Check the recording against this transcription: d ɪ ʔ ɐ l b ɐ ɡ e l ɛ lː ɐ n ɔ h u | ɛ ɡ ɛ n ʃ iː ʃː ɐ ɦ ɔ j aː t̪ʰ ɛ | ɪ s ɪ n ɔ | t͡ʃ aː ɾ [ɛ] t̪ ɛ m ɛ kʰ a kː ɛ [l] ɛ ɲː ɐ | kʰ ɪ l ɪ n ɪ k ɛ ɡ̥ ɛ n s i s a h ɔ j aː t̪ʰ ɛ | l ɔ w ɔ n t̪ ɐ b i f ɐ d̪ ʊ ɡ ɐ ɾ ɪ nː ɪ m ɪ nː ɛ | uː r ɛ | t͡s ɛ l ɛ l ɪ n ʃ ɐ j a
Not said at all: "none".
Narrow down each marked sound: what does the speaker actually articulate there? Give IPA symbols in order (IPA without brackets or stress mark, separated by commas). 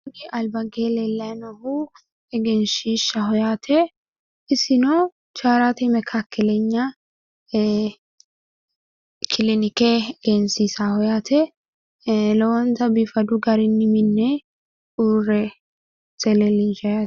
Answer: a, l